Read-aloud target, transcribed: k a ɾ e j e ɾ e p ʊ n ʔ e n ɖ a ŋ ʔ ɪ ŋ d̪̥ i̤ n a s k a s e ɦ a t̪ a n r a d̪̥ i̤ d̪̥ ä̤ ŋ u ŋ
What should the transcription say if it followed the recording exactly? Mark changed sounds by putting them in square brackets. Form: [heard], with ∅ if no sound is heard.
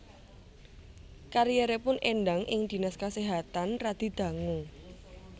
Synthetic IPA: k a ɾ [i] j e ɾ e p ʊ n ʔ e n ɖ a ŋ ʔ ɪ ŋ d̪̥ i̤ n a s k a s e ɦ a t̪ a n r a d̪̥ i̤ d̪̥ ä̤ ŋ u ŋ